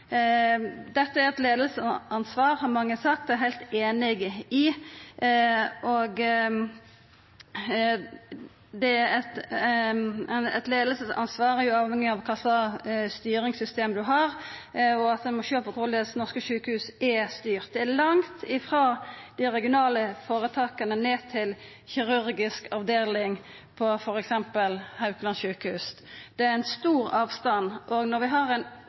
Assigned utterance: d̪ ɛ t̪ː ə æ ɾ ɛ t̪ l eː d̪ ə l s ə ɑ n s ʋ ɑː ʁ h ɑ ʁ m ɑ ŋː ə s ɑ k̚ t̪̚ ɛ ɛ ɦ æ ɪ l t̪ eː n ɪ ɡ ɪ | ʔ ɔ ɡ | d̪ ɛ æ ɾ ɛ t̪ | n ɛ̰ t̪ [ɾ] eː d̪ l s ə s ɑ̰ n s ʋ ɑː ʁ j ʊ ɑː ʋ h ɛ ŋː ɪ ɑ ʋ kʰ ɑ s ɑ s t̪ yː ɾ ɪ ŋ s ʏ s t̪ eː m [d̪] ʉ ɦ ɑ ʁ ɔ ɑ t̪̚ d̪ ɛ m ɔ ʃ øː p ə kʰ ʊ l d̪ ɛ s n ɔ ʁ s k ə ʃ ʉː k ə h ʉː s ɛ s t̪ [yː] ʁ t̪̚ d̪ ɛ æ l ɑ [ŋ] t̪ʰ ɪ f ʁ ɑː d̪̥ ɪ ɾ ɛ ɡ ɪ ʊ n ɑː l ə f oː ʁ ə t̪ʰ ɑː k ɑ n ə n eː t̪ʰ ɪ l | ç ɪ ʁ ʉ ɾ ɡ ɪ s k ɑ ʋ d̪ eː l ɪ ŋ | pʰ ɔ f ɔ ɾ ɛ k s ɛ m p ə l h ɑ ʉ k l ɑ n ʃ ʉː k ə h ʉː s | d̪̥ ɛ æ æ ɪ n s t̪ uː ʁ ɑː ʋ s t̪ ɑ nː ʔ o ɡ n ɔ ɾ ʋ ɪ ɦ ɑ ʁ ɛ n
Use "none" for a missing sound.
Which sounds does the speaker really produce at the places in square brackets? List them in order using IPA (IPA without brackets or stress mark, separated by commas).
l, d̪, yː, ŋ